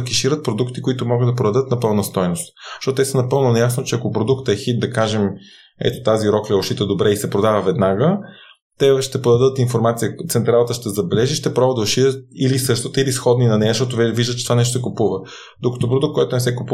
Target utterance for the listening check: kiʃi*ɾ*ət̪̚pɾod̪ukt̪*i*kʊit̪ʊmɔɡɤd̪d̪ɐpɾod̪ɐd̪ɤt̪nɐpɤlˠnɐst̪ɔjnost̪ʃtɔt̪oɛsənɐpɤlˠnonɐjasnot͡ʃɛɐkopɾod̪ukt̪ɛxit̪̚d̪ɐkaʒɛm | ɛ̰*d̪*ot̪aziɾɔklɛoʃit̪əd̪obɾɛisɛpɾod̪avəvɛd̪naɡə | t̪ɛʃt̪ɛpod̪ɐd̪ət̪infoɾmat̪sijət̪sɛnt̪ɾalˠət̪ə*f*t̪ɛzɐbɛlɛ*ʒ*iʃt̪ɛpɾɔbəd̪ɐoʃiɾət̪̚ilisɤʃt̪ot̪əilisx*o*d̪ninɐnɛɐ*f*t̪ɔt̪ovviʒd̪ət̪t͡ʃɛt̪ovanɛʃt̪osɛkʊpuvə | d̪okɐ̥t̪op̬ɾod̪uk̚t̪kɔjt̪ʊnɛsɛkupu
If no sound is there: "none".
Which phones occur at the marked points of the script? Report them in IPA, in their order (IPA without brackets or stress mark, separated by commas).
ɾ, i, t̪, ʃ, ʒ, ɔ, ʃ